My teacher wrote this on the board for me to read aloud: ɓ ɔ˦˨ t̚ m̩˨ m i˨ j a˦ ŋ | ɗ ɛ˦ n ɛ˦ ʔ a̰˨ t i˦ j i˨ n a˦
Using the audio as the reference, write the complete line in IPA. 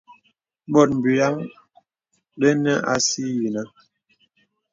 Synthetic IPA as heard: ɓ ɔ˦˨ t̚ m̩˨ b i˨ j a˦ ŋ | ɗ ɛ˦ n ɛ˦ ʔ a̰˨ s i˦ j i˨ n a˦